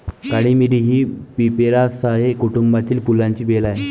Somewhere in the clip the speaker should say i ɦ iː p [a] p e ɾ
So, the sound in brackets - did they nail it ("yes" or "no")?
no